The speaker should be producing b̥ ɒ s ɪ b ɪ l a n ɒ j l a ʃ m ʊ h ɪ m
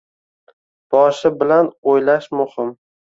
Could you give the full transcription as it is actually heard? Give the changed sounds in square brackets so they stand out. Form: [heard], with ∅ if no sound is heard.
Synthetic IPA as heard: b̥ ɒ [ʃ] ɪ b ɪ l a n [o] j l a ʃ m ʊ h ɪ m